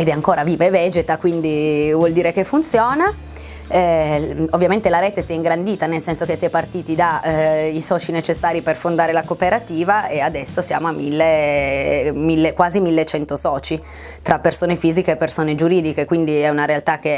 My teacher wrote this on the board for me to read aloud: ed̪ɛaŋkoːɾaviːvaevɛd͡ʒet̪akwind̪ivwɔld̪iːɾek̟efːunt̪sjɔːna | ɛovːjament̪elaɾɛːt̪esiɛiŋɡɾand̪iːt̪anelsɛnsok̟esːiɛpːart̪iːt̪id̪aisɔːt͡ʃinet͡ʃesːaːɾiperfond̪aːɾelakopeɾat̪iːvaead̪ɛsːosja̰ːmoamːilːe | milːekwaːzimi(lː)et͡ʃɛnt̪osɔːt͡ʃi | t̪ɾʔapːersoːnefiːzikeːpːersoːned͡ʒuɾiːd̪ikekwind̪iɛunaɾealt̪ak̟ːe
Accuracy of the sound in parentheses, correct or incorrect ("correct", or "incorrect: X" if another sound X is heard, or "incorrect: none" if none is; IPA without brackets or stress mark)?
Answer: correct